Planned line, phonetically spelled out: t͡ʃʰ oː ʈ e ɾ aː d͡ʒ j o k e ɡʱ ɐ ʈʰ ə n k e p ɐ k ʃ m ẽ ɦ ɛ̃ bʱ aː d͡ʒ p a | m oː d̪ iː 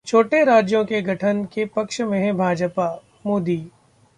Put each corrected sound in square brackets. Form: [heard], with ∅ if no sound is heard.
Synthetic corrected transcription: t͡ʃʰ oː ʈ e ɾ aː d͡ʒ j [õ] k e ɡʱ ɐ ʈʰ ə n k e p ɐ k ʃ m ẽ ɦ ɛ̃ bʱ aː d͡ʒ p a | m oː d̪ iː